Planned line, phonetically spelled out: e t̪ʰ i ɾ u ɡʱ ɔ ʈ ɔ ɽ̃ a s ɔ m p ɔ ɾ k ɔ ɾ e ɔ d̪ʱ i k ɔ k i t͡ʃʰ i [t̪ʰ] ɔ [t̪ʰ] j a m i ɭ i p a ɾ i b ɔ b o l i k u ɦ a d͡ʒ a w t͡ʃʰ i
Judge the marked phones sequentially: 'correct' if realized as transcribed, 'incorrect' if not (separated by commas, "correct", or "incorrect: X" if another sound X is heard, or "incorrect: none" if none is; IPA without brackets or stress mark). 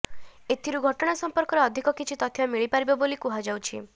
incorrect: t̪, correct